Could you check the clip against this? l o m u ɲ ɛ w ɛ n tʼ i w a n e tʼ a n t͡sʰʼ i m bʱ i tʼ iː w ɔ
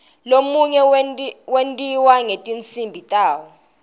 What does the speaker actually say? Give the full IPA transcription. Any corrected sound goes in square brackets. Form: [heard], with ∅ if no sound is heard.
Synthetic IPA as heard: l o m u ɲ ɛ w [e] n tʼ i w a [ŋ] e tʼ [i] n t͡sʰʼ i m bʱ i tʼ [aː] w ɔ